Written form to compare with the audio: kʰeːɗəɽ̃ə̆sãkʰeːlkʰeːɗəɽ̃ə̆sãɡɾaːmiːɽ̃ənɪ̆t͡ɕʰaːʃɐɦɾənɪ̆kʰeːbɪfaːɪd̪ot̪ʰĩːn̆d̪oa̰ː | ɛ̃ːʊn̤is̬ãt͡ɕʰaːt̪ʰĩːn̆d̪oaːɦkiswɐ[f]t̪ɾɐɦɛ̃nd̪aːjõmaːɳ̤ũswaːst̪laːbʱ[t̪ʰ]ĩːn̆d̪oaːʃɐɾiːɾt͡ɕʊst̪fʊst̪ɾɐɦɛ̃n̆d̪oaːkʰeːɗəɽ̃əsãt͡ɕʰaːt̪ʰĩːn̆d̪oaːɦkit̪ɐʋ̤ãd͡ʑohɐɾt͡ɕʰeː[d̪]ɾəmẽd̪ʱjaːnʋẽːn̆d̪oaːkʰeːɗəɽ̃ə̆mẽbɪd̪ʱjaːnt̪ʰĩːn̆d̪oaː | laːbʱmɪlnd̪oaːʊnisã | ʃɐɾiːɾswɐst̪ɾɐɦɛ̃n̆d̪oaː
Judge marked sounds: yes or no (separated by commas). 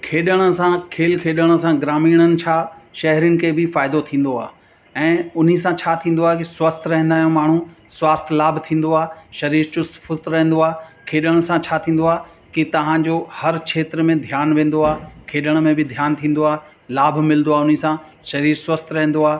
no, yes, no